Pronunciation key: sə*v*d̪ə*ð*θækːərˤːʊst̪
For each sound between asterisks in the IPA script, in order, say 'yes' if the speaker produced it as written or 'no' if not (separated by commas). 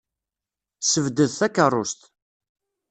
yes, yes